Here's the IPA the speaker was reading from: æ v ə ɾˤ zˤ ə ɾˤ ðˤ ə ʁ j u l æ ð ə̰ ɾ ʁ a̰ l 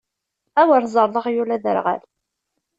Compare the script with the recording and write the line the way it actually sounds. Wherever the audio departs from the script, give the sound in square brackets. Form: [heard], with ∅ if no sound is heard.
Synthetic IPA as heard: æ [w] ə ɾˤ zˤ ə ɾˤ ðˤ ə ʁ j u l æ ð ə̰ ɾ ʁ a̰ l